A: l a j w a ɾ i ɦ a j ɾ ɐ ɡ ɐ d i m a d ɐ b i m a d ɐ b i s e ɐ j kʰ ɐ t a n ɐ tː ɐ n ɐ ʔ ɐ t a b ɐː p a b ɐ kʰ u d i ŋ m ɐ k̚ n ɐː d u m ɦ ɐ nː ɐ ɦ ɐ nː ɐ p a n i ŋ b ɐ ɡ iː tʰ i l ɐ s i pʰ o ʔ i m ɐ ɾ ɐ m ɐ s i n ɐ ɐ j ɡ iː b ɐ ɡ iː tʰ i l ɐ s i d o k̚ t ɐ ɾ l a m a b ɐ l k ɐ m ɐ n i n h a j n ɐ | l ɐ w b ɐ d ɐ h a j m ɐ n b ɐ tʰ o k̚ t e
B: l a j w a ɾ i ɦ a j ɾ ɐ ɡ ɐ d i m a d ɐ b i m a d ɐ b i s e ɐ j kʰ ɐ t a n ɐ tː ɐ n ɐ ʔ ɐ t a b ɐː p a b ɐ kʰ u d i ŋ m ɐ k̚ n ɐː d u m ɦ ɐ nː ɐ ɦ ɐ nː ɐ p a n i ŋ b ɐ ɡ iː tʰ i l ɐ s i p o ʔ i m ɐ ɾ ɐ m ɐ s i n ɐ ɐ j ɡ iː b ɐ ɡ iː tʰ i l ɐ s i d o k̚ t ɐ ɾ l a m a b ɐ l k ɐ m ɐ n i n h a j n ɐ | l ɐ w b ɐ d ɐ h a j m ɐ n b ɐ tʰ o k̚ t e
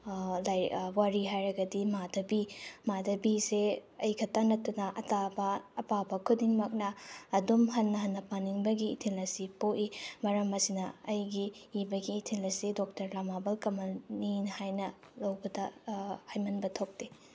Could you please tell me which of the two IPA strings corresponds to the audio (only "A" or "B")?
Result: B